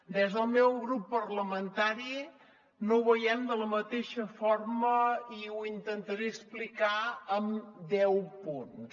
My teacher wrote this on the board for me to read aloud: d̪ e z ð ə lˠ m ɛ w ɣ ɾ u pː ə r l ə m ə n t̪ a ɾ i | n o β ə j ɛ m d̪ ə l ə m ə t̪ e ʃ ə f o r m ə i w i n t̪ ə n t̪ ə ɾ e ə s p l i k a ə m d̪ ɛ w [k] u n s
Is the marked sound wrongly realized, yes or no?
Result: yes